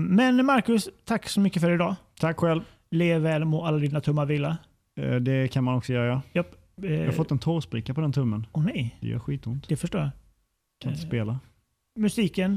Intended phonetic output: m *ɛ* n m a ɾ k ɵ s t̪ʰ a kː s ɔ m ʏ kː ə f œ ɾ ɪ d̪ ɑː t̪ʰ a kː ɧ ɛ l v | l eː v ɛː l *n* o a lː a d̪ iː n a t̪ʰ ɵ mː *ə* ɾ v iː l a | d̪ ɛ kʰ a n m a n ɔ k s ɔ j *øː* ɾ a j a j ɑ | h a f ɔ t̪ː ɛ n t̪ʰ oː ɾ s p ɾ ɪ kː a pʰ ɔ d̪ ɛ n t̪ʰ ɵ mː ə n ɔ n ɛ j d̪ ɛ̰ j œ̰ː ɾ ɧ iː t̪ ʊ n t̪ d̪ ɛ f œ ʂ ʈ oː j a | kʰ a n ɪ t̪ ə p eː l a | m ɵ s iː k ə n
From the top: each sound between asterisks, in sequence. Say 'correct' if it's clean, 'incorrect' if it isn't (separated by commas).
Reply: correct, incorrect, incorrect, incorrect